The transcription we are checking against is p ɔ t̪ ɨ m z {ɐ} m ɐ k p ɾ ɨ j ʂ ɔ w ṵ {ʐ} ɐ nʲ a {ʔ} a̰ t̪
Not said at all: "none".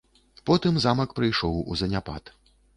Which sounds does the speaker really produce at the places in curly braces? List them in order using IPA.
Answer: a, z, p

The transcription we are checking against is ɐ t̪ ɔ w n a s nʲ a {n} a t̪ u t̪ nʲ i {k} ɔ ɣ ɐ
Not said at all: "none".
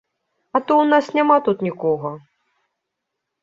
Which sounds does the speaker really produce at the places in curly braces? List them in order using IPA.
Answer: m, k

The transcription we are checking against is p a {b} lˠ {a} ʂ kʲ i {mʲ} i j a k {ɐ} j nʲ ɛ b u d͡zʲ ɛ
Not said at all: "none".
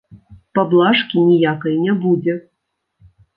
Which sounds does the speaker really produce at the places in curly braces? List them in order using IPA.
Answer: b, a, nʲ, ɐ

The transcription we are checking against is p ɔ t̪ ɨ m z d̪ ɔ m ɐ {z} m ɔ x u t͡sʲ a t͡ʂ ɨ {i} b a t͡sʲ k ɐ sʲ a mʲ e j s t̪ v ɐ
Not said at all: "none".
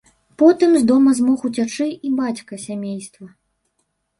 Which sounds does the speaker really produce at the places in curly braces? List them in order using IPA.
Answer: z, i

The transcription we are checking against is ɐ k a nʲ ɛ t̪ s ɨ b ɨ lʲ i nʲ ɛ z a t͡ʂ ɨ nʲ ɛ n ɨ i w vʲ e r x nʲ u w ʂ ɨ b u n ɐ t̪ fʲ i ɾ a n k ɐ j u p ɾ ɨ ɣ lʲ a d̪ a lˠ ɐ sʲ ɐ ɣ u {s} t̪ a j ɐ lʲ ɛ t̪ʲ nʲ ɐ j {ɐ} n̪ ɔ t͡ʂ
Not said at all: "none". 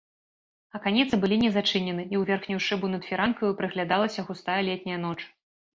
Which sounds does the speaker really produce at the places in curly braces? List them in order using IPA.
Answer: s, ɐ

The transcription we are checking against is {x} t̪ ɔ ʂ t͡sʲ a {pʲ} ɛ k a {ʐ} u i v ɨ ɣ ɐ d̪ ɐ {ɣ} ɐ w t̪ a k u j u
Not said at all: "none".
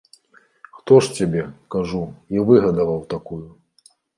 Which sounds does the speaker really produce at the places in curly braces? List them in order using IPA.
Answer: x, bʲ, ʐ, v

